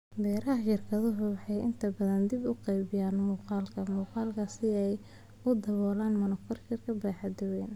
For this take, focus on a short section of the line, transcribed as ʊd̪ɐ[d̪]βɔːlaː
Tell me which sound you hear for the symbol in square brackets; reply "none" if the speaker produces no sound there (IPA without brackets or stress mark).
none